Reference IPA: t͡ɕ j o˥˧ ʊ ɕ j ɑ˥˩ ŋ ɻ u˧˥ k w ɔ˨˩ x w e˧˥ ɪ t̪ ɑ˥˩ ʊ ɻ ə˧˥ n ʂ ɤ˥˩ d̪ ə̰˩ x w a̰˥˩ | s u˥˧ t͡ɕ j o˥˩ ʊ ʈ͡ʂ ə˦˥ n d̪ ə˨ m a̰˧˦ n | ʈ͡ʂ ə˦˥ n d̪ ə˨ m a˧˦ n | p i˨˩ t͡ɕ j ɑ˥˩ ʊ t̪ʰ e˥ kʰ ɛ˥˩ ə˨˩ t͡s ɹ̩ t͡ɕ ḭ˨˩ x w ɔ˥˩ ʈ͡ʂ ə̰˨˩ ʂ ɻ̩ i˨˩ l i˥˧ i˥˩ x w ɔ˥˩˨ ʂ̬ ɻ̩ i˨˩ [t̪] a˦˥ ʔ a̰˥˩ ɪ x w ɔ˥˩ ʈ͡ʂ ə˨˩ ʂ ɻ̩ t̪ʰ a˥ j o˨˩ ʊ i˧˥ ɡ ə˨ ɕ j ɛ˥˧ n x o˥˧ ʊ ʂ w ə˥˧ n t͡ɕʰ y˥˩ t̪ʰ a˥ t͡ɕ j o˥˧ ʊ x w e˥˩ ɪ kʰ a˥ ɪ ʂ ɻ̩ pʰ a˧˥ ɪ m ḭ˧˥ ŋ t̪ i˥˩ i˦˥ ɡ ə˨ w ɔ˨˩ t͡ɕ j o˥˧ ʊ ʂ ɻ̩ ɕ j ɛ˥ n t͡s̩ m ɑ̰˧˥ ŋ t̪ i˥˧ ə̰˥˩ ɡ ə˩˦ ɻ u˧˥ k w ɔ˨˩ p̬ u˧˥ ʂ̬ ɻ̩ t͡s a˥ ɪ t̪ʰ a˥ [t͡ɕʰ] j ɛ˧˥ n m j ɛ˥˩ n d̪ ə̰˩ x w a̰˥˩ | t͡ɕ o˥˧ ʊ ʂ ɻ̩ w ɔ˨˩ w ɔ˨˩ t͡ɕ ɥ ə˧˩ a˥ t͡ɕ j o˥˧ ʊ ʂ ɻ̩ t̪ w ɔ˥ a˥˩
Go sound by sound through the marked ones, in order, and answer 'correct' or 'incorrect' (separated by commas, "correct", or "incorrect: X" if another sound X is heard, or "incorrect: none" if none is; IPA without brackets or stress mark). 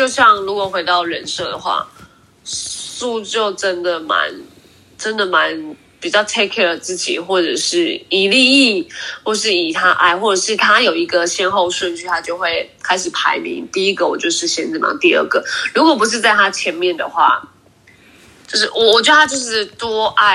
incorrect: t̪ʰ, correct